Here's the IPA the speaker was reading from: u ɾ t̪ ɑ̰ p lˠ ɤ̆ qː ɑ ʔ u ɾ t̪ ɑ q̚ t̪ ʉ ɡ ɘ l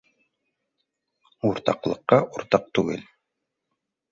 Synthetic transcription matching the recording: u ɾ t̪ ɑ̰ q lˠ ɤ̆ qː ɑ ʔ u ɾ t̪ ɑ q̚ t̪ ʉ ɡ ɘ l